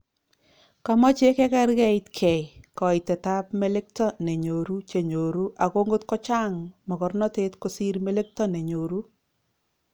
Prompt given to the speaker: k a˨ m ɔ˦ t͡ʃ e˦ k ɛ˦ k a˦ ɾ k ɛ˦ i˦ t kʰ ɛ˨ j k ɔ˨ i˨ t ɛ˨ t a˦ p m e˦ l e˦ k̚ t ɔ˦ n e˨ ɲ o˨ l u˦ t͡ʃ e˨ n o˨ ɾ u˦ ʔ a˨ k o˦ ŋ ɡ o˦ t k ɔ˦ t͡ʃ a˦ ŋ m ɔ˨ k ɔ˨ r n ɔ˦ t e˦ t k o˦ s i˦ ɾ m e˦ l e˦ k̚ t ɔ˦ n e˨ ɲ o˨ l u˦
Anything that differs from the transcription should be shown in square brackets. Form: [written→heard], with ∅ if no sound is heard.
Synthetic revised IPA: k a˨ m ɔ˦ t͡ʃ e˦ k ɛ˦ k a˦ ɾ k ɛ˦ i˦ t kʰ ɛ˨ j k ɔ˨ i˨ t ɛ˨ t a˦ p m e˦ l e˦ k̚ t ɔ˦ n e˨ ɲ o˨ [l→ɾ] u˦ t͡ʃ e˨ [n→ɲ] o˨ ɾ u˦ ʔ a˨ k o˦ ŋ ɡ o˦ t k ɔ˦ t͡ʃ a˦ ŋ m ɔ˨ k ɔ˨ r n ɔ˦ t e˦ t k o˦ s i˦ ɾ m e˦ l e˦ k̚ t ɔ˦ n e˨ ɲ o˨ [l→ɾ] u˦